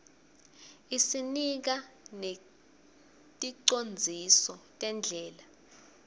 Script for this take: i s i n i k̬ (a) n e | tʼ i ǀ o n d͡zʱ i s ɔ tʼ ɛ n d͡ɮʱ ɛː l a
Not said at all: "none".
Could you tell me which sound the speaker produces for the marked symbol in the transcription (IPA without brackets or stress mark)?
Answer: a